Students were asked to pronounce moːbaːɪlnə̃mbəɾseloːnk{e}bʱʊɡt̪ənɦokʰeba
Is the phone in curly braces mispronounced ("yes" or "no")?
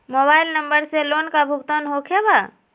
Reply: yes